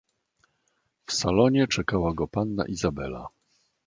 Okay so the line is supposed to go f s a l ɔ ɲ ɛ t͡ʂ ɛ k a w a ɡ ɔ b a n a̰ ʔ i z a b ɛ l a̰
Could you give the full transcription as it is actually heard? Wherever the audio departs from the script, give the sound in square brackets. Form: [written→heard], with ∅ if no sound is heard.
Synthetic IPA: f s a l ɔ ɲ ɛ t͡ʂ ɛ k a w a ɡ ɔ [b→p] a [n→nː] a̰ ʔ i z a b ɛ l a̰